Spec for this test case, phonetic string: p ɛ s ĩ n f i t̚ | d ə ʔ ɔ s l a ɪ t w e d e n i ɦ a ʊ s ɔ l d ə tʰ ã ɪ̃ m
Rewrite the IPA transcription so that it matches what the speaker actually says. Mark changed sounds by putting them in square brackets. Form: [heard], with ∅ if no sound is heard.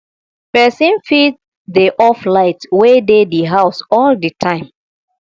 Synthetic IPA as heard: p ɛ s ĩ n f i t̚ | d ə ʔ ɔ [f] l a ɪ t w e d e [d] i ɦ a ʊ s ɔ l d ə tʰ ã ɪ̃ m